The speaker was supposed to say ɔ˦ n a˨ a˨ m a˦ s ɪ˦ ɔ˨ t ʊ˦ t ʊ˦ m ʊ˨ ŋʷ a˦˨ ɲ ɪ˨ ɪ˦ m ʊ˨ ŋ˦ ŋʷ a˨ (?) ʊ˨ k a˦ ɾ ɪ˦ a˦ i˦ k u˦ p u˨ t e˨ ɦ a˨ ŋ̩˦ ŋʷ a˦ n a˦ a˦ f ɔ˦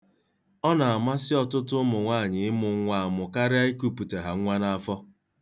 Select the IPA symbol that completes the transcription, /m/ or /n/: m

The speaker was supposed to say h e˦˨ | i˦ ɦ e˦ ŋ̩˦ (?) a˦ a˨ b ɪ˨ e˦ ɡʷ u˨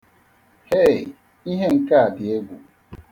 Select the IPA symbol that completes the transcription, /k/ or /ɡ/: k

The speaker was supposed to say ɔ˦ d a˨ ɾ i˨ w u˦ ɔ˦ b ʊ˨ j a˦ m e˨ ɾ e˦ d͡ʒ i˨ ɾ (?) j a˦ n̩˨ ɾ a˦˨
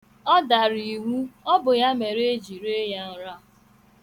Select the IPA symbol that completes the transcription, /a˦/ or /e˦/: e˦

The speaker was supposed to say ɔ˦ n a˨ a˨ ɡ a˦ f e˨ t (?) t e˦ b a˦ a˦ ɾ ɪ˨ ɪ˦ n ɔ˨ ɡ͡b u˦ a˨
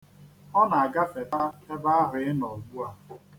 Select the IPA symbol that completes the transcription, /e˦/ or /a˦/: a˦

